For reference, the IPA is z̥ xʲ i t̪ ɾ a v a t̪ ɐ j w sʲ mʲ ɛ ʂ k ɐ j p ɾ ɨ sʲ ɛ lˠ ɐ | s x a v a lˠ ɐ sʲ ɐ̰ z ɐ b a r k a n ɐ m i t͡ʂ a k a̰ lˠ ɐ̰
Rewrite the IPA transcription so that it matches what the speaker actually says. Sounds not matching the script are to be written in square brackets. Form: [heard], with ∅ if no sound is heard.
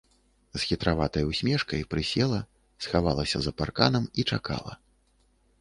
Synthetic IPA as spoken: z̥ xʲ i t̪ ɾ a v a t̪ ɐ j w sʲ mʲ ɛ ʂ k ɐ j p ɾ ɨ sʲ ɛ lˠ ɐ | s x a v a lˠ ɐ sʲ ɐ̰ z ɐ [p] a r k a n ɐ m i t͡ʂ a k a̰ lˠ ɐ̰